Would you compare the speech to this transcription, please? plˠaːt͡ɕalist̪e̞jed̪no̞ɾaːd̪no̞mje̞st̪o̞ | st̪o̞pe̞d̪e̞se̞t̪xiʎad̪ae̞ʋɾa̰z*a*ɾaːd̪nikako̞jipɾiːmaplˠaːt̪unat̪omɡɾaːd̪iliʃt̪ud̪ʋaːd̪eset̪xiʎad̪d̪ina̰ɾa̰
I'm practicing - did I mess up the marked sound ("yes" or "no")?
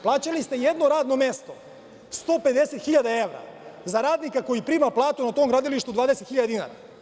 no